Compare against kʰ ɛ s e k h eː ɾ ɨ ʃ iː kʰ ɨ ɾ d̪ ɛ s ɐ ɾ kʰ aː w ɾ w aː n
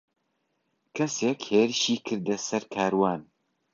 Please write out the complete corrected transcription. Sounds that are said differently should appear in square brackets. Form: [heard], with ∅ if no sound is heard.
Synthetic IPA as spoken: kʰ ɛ s e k h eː ɾ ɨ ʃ iː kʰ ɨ ɾ d̪ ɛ s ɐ ɾ kʰ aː [∅] ɾ w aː n